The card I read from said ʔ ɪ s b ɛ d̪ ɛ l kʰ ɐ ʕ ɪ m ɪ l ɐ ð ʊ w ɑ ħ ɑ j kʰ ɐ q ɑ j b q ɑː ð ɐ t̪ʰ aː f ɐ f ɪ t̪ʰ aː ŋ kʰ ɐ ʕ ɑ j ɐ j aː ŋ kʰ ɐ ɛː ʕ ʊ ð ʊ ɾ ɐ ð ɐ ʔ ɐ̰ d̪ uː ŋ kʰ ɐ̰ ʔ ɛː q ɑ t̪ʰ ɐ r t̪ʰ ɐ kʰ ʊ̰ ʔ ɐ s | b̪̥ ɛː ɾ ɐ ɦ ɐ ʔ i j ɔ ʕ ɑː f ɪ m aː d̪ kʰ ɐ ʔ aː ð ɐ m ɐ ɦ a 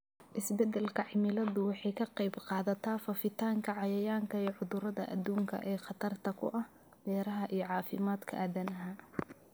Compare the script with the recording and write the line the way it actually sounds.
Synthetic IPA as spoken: ʔ ɪ s b ɛ d̪ ɛ l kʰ ɐ ʕ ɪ m ɪ l ɐ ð ʊ w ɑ ħ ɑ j kʰ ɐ q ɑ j b q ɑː ð ɐ t̪ʰ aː f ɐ f ɪ t̪ʰ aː ŋ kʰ ɐ ʕ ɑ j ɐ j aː ŋ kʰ ɐ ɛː ʕ ʊ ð ʊ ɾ ɐ ð ɐ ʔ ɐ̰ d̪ uː ŋ kʰ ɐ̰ ʔ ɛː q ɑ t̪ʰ ɐ r t̪ʰ ɐ kʰ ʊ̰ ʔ ɐ h | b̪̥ ɛː ɾ ɐ ɦ ɐ ʔ i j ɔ ʕ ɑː f ɪ m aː d̪ kʰ ɐ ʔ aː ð ɐ n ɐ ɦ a